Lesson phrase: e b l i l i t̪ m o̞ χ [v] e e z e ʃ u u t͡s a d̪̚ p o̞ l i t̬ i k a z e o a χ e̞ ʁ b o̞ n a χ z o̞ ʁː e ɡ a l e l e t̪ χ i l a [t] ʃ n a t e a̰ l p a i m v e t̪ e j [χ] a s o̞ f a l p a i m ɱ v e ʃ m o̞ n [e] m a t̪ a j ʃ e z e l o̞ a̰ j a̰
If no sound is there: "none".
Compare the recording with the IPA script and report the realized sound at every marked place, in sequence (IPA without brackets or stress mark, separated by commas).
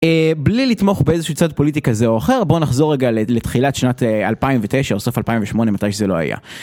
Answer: b, t, ʃ, e